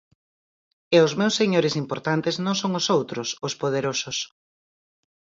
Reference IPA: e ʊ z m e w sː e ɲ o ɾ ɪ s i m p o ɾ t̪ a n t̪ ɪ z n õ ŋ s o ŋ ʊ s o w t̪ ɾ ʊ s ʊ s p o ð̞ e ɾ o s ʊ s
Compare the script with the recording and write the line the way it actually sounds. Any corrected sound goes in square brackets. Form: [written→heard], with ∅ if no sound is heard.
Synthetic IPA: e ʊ z m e w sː e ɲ o ɾ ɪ s i m p o ɾ t̪ a n t̪ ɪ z n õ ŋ s o ŋ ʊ s o w t̪ ɾ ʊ s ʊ s p o ð̞ e ɾ o s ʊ s

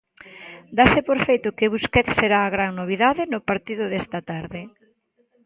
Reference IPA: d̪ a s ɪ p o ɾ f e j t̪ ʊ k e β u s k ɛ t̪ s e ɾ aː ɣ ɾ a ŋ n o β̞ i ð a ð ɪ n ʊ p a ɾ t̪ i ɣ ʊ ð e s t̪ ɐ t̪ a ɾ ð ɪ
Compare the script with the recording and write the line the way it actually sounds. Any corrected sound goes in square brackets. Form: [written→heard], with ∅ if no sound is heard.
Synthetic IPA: d̪ a s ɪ p o ɾ f e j t̪ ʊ k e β u s k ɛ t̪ s e ɾ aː ɣ ɾ a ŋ n o β̞ i ð a ð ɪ n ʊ p a ɾ t̪ i [ɣ→ð] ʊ ð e s t̪ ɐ t̪ a ɾ ð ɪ

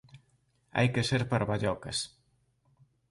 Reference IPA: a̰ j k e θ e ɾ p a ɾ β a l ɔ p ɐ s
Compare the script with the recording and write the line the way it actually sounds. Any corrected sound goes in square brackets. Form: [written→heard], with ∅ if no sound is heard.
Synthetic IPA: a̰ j k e [θ→s] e ɾ p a ɾ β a [l→ʎ] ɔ [p→k] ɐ s

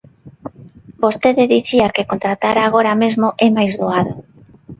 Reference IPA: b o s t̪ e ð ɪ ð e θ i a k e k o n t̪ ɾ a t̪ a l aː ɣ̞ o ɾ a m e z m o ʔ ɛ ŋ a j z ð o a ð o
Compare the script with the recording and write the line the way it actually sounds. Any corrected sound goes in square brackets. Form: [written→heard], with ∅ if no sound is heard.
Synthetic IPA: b o s t̪ e ð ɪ ð [e→i] θ i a k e k o n t̪ ɾ a t̪ a [l→ɾ] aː ɣ̞ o ɾ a m e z m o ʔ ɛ [ŋ→m] a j z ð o a ð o

